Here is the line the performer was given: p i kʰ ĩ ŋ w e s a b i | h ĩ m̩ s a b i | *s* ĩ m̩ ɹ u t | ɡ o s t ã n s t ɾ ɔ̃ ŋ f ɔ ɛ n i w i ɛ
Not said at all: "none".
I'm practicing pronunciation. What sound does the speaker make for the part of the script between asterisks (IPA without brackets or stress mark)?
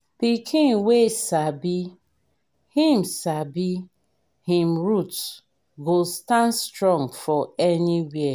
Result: h